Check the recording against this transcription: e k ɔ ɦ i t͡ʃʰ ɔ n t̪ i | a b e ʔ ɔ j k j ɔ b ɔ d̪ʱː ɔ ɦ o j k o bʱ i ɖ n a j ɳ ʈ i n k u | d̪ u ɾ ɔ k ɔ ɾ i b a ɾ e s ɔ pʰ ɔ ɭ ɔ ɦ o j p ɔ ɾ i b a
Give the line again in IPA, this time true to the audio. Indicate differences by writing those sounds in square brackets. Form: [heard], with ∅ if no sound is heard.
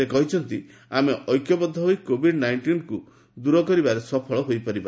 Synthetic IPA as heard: e k ɔ ɦ i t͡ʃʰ ɔ n t̪ i | a [m] e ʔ ɔ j k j ɔ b ɔ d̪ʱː ɔ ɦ o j k o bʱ i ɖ n a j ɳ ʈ i n k u | d̪ u ɾ ɔ k ɔ ɾ i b a ɾ e s ɔ pʰ ɔ ɭ ɔ ɦ o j p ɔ ɾ i b a